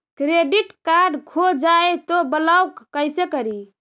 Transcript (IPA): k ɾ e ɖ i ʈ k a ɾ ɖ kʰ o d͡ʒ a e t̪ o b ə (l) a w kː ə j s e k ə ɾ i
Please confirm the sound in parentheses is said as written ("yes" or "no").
yes